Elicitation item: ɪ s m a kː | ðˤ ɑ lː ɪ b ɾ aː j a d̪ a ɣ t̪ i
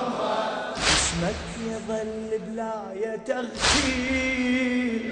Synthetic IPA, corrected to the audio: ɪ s m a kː | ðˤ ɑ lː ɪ b l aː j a t̪ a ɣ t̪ i